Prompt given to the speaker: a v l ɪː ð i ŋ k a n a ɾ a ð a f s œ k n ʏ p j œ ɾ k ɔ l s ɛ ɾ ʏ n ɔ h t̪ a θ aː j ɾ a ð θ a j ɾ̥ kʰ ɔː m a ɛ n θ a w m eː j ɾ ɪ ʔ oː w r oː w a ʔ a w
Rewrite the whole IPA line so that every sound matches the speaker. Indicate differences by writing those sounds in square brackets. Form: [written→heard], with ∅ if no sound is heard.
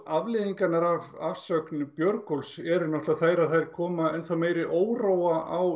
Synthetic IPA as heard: a v l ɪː ð i ŋ k a n a ɾ a [ð→v] a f s œ k n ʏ p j œ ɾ k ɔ l s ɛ ɾ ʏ n ɔ h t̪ a θ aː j ɾ a ð θ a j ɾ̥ kʰ ɔː m a ɛ n θ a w m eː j ɾ ɪ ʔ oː w r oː w a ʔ a w